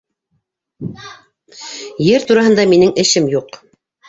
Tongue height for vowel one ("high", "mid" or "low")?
mid